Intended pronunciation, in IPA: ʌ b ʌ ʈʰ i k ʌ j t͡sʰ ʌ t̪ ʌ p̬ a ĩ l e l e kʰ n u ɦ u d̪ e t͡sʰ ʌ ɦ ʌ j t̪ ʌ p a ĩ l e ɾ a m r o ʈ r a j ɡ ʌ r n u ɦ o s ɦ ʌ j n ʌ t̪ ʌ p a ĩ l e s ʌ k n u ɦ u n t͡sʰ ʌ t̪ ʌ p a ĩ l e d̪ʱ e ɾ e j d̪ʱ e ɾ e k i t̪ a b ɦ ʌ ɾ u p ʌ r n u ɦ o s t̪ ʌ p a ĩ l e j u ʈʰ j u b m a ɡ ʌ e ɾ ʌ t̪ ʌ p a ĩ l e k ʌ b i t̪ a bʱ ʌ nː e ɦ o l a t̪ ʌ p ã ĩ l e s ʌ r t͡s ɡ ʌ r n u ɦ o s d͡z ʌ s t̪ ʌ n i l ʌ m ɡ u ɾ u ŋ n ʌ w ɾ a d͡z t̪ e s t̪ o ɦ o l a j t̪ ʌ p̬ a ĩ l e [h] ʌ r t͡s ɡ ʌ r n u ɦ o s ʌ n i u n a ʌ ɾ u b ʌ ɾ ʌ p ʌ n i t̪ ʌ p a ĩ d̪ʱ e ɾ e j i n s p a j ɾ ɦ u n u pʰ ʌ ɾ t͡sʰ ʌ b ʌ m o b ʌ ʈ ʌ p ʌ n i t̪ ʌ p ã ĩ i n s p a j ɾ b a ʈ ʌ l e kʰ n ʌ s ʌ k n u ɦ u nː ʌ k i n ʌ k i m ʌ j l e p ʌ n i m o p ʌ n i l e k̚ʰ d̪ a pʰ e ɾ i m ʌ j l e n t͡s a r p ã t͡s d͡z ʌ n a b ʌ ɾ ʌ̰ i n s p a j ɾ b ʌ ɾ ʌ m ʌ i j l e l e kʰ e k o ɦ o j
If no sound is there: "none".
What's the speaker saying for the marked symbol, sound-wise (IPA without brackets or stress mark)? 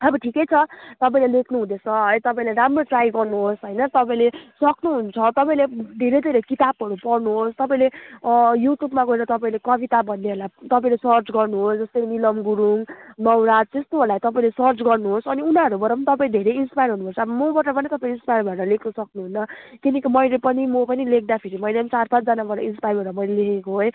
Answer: s